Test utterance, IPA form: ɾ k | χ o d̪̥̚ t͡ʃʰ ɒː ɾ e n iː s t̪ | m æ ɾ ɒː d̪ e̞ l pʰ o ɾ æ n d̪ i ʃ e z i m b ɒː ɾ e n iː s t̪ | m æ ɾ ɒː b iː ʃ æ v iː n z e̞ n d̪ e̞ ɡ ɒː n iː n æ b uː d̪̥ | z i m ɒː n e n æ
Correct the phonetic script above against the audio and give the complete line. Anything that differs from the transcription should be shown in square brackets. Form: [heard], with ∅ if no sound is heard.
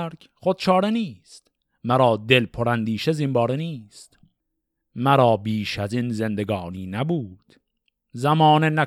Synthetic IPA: ɾ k | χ o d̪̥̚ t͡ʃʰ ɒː ɾ e n iː s t̪ | m æ ɾ ɒː d̪ e̞ l pʰ o ɾ æ n d̪ [iː] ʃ e z i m b ɒː ɾ e n iː s t̪ | m æ ɾ ɒː b iː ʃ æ [z] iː n z e̞ n d̪ e̞ ɡ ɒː n iː n æ b uː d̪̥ | z [æ] m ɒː n e n æ